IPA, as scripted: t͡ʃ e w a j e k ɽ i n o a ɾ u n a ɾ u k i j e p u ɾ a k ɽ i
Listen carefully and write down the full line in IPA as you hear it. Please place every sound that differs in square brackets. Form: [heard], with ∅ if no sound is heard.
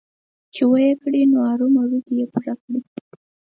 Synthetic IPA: t͡ʃ e w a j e k ɽ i n o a ɾ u [m] a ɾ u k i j e p u ɾ a k ɽ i